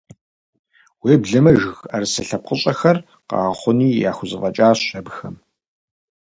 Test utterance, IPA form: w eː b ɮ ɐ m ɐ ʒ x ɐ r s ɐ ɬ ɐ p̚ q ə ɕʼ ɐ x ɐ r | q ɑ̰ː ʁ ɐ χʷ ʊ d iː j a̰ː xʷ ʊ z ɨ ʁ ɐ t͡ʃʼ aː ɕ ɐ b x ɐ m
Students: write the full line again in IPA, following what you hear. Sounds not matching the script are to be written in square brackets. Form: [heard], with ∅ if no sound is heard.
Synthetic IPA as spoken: w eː b ɮ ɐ m ɐ ʒ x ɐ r s ɐ ɬ ɐ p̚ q ə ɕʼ ɐ x ɐ r | q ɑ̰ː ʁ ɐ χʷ ʊ [n] iː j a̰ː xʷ ʊ z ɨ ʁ ɐ t͡ʃʼ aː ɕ ɐ b x ɐ m